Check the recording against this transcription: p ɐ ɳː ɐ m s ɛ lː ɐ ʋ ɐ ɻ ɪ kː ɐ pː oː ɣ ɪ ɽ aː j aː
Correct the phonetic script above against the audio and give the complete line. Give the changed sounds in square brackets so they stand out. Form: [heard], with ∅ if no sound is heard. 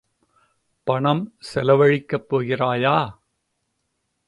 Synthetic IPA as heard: p ɐ [ɳ] ɐ m s ɛ [l] ɐ ʋ ɐ ɻ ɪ kː ɐ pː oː ɣ ɪ [r] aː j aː